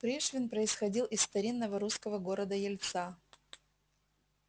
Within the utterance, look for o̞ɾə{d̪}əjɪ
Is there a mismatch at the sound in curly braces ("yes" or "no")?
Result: no